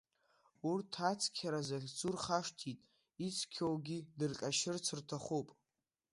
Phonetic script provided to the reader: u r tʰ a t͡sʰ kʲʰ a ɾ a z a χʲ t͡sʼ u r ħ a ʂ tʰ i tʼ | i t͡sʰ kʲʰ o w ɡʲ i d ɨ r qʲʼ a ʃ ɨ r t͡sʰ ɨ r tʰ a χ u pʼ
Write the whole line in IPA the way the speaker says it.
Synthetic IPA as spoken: u r tʰ a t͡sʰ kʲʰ a ɾ a z a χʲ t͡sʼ u r χ a ʂ tʰ i tʼ | i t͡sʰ kʲʰ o w ɡʲ i d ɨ r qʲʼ a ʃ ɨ r t͡sʰ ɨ r tʰ a χ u pʼ